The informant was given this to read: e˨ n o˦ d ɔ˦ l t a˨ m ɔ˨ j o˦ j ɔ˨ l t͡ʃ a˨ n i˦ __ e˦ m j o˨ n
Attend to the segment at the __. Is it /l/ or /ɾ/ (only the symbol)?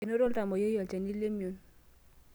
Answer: l